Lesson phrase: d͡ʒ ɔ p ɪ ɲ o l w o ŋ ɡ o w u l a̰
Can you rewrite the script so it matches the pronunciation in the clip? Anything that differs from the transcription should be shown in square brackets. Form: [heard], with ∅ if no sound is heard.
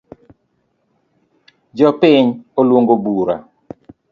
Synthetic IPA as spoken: d͡ʒ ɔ p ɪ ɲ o l w o ŋ ɡ o [b] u [ɾ] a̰